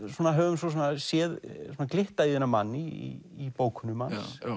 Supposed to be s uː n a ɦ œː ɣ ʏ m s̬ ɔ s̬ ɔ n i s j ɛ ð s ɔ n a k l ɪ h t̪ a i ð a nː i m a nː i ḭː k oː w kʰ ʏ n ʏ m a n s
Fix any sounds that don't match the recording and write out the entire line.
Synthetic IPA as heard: s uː n a ɦ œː v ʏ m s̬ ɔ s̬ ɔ n a s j ɛ ð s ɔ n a k l ɪ h t̪ a i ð ɛ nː a m a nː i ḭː p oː w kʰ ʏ n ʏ m a n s